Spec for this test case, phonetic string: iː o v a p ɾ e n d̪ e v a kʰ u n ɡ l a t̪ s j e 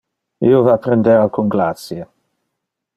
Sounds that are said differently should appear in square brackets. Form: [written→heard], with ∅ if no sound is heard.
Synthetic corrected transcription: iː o v a p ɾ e n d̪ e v a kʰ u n ɡ l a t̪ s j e